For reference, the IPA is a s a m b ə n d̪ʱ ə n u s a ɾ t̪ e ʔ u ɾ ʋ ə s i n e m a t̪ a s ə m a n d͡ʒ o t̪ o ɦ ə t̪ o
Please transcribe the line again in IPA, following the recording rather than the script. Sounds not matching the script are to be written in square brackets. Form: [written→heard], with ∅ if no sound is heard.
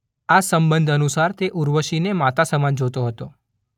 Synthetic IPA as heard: a s [a→ə] m b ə n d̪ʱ ə n u s a ɾ t̪ e ʔ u ɾ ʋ ə [s→ʃ] i n e m a t̪ a s ə m a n d͡ʒ o t̪ o ɦ ə t̪ o